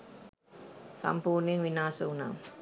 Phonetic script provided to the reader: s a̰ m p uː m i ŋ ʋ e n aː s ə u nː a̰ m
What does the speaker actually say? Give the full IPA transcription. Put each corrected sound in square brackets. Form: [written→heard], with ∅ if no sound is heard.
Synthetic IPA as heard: s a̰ m p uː [m→n] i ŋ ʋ [e→i] n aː s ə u [nː→n] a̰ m